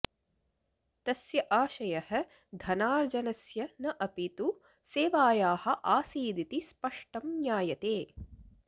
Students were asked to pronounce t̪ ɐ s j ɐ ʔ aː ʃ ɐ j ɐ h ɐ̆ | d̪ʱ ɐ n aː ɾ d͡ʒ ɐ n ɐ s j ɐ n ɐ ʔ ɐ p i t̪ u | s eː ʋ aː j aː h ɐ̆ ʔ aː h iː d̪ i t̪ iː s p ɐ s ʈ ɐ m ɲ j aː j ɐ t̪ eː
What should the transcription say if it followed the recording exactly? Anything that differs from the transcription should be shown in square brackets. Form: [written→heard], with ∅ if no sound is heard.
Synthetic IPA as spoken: t̪ ɐ s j ɐ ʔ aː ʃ ɐ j ɐ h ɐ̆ | d̪ʱ ɐ n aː ɾ d͡ʒ ɐ n ɐ s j ɐ n ɐ ʔ ɐ p i t̪ u | s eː ʋ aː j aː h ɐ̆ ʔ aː [h→s] iː d̪ i t̪ [iː→i] s p ɐ [s→ʂ] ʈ ɐ m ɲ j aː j ɐ t̪ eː